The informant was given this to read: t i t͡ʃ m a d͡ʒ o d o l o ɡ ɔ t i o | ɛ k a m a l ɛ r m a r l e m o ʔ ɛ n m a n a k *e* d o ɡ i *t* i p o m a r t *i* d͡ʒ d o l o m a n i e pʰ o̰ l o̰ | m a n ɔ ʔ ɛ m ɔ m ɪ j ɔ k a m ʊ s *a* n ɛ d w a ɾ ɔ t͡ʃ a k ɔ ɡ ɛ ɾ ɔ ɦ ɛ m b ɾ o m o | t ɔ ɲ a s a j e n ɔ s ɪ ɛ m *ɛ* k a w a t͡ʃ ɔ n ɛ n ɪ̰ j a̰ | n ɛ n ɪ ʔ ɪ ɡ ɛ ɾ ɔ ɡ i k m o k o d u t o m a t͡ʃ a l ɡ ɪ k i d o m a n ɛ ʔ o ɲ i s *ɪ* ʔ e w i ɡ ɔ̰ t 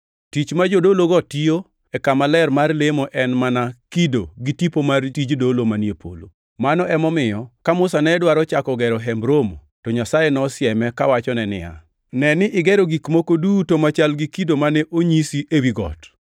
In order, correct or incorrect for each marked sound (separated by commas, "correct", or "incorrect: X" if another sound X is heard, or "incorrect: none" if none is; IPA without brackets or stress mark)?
incorrect: i, correct, correct, correct, correct, incorrect: i